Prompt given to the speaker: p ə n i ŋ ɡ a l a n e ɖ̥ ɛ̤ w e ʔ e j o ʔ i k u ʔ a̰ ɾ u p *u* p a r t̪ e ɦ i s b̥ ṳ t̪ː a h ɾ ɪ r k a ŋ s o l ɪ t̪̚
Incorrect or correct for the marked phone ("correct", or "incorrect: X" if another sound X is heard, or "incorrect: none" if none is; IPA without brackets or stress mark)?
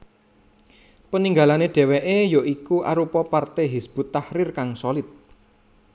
incorrect: ɔ